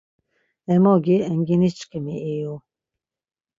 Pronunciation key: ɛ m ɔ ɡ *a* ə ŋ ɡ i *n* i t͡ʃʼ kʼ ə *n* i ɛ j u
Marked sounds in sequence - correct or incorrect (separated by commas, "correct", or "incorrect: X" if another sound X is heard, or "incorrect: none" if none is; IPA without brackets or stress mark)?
incorrect: i, correct, incorrect: m